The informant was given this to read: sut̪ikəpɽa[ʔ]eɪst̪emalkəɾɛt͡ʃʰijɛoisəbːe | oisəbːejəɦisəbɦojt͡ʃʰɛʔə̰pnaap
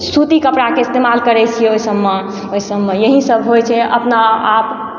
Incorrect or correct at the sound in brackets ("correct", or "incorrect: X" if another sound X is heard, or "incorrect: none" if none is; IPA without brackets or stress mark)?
incorrect: k